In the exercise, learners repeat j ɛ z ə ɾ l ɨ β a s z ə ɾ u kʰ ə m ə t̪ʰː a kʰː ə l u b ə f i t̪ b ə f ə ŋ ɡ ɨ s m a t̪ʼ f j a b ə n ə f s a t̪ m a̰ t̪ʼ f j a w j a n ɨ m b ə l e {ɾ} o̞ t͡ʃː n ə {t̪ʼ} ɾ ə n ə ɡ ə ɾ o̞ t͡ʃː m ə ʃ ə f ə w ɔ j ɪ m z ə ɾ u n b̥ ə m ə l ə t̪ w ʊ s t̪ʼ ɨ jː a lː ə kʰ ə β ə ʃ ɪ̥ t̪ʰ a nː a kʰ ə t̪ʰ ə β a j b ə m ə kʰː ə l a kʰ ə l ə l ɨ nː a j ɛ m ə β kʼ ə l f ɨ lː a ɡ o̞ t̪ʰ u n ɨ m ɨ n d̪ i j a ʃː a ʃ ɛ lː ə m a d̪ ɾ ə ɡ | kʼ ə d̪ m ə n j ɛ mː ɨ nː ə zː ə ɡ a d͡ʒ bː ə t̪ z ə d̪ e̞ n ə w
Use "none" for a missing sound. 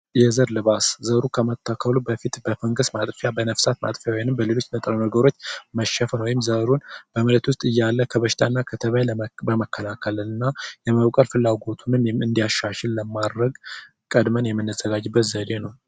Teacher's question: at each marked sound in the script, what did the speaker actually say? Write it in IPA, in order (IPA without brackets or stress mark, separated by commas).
l, t̪ʼ